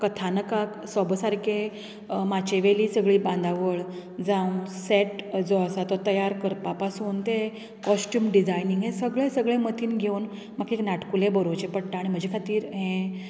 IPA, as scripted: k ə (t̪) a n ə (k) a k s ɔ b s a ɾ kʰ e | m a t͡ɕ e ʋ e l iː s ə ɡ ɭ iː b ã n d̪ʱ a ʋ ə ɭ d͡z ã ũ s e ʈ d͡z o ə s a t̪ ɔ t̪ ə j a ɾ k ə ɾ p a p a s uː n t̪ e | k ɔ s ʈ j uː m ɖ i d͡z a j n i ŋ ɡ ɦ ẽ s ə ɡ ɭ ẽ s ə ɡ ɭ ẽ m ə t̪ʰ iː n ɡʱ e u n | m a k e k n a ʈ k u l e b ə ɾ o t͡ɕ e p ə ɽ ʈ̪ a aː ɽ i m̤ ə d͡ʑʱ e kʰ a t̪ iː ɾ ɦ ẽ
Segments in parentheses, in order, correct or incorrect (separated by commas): incorrect, correct